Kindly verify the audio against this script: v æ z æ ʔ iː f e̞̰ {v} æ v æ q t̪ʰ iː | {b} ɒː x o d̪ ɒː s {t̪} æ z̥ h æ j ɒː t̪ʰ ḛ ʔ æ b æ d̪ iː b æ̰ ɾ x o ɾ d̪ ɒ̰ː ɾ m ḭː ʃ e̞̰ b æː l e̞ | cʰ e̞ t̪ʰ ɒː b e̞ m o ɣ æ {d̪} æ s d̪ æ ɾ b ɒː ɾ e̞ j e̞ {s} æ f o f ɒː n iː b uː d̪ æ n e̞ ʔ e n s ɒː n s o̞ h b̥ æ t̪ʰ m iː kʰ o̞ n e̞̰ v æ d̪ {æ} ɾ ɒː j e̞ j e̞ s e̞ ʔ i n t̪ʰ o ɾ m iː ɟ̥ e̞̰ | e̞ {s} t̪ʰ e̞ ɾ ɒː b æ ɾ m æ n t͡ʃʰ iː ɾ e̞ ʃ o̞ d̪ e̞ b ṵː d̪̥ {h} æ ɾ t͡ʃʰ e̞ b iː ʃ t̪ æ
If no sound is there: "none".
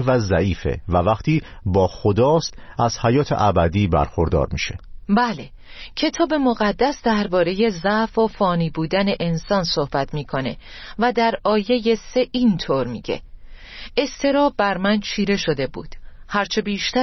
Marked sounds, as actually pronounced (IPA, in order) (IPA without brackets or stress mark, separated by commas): v, b, t̪, d̪ː, z, æ, s, h